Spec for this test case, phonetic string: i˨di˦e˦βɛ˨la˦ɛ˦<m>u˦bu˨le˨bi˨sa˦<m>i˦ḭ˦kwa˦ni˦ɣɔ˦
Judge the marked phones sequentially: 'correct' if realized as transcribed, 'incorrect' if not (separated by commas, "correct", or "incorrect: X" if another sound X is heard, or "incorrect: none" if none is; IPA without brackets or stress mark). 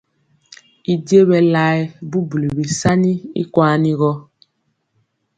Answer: incorrect: b, incorrect: n